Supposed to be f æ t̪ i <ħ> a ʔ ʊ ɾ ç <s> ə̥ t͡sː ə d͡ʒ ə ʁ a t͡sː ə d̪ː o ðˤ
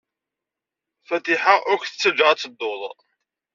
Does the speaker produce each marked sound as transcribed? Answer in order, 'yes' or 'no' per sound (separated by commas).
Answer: yes, no